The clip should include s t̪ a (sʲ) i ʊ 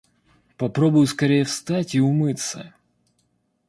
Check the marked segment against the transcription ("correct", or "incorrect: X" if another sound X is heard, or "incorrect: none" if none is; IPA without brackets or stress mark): incorrect: tʲ